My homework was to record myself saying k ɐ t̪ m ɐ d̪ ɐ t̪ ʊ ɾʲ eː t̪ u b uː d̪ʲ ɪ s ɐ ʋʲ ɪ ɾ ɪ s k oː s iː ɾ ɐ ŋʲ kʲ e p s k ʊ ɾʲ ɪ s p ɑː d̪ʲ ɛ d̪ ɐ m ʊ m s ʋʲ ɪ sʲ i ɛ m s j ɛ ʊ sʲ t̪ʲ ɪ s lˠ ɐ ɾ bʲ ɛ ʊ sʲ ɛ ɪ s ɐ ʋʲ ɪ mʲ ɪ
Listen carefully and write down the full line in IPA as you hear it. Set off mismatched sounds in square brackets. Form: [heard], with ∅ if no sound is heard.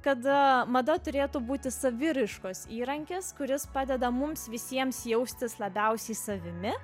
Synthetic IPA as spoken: k ɐ t̪ m ɐ d̪ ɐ t̪ ʊ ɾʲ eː t̪ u b uː [t̪ʲ] ɪ s ɐ ʋʲ ɪ ɾ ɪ [ʃ] k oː s iː ɾ ɐ ŋʲ kʲ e [∅] s k ʊ ɾʲ ɪ s p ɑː d̪ʲ ɛ d̪ ɐ m ʊ m s ʋʲ ɪ sʲ i ɛ m s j ɛ ʊ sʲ t̪ʲ ɪ s lˠ ɐ [∅] bʲ ɛ ʊ sʲ ɛ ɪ s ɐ ʋʲ ɪ mʲ ɪ